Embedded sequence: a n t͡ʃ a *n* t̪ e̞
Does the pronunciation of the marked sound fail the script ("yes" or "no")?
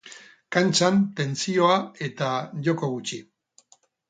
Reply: no